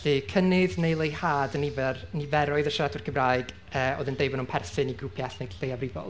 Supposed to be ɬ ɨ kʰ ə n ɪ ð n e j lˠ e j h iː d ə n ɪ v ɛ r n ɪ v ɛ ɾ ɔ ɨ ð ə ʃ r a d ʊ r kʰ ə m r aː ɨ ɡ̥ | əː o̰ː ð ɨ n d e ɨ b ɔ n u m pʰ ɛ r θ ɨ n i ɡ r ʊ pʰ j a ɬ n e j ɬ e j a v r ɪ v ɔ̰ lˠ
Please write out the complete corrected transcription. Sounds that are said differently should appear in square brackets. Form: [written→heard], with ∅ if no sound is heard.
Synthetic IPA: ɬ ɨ kʰ ə n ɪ ð n e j lˠ e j h [iː→aː] d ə n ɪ v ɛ r n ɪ v ɛ ɾ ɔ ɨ ð ə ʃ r a d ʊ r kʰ ə m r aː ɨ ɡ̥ | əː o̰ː ð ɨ n d e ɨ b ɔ n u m pʰ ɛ r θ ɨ n i ɡ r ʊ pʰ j a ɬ n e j ɬ e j a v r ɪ v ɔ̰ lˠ